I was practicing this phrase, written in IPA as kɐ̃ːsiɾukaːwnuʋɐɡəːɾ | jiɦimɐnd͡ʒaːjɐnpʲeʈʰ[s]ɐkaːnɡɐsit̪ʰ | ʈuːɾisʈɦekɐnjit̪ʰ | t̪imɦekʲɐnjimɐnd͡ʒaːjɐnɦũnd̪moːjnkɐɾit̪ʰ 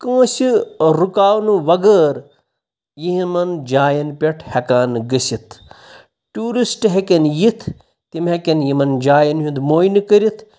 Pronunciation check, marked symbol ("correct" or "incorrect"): incorrect